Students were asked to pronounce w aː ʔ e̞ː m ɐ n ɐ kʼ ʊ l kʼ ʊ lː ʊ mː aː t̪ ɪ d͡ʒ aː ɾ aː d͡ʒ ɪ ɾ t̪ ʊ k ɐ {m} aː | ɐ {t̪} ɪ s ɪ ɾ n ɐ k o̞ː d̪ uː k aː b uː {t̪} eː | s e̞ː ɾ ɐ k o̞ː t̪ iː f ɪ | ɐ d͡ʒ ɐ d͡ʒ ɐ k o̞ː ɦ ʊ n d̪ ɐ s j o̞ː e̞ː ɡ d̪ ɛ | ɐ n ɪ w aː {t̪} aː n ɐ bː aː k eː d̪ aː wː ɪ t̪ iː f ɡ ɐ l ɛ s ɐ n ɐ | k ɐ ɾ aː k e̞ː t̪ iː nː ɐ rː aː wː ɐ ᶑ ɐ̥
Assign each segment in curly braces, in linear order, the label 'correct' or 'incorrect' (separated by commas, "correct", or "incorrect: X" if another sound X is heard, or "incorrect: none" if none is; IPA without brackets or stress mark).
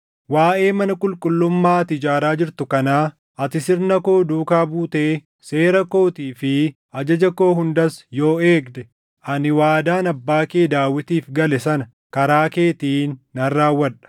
incorrect: n, correct, correct, incorrect: d̪